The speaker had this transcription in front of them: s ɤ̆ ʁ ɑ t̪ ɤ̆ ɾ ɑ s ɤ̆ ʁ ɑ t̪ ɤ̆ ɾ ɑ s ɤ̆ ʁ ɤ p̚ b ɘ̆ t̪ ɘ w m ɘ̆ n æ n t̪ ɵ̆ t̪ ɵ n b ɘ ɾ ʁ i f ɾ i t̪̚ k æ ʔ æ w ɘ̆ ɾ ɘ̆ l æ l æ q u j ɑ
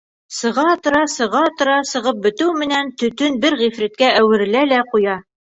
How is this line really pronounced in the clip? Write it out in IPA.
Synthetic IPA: s ɤ̆ ʁ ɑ t̪ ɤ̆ ɾ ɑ s ɤ̆ ʁ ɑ t̪ ɤ̆ ɾ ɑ s ɤ̆ ʁ ɤ p̚ b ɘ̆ t̪ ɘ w m ɘ̆ n æ n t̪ ɵ̆ t̪ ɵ n b ɘ ɾ ʁ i f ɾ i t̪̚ k æ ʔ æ w ɘ̆ ɾ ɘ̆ l æ l æ q u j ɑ